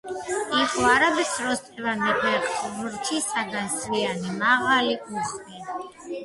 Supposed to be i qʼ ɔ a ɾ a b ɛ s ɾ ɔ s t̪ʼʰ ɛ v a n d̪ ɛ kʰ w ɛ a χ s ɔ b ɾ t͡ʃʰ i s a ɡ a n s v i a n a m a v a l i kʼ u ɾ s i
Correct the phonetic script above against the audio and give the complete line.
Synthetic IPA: i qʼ ɔ a ɾ a b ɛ s ɾ ɔ s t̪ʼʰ ɛ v a n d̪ ɛ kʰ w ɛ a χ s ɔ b ɾ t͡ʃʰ i s a ɡ a n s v i a n i m a ʁ a l i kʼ u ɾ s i